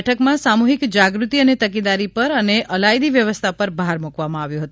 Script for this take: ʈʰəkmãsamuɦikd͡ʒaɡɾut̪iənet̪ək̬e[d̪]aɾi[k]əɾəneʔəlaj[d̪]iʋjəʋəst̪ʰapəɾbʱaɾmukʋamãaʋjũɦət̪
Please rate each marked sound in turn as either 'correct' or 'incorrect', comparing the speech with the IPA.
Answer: correct, incorrect, correct

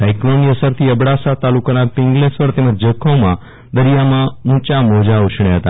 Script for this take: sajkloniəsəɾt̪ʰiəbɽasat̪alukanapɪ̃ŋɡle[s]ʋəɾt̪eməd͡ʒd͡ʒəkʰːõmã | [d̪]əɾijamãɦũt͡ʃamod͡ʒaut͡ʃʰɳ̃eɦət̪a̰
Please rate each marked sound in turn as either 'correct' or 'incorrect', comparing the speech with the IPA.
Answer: correct, correct

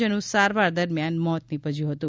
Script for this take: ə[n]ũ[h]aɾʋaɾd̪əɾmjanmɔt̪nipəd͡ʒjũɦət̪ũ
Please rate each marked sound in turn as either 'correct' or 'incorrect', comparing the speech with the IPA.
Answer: correct, incorrect

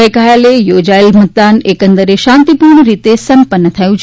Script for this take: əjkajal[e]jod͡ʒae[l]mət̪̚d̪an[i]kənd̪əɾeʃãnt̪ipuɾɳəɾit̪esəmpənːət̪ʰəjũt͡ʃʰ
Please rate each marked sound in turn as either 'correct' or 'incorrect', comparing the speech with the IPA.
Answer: correct, correct, incorrect

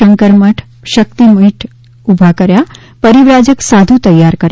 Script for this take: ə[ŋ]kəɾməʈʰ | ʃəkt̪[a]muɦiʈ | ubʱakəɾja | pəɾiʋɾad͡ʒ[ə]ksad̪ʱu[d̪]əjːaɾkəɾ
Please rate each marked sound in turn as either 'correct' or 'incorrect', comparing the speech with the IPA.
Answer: correct, incorrect, correct, incorrect

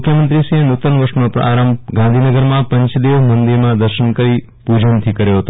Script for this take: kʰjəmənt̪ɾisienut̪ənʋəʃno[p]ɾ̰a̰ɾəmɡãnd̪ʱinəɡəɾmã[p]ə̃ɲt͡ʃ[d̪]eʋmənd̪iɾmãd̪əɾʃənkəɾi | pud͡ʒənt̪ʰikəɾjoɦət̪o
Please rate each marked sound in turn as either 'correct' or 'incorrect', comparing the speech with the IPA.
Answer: correct, correct, correct

